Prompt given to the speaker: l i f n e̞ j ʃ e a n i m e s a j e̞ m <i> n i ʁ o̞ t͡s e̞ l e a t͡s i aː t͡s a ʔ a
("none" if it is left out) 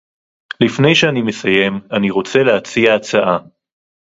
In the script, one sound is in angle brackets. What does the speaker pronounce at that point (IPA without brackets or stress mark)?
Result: a